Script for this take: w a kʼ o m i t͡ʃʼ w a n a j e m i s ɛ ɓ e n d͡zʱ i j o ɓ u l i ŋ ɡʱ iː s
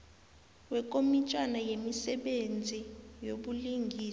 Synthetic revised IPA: w ɛ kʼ o m i t͡ʃʼ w a n a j e m i s ɛ ɓ e n d͡zʱ i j o ɓ u l i ŋ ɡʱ iː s